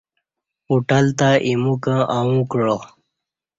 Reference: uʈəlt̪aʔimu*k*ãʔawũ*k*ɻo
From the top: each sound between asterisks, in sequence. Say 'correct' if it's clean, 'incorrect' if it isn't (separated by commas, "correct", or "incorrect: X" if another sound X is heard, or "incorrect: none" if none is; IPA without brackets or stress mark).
correct, correct